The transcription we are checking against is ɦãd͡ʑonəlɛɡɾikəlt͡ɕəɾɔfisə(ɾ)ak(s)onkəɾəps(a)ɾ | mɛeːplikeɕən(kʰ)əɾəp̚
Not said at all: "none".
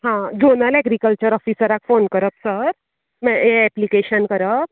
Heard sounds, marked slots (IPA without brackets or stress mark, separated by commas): ɾ, f, ə, k